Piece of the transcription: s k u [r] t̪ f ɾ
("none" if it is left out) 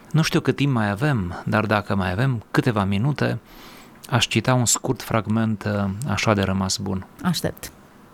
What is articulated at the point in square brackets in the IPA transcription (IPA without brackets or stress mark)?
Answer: r